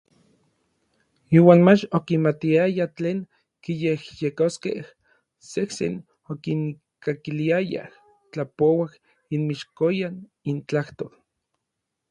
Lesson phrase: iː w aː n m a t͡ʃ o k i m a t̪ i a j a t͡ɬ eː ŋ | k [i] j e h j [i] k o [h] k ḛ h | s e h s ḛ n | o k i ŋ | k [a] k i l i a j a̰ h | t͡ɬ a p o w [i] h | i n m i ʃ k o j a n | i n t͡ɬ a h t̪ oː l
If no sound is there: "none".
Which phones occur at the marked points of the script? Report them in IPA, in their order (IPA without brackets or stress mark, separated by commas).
i, e, s, a, a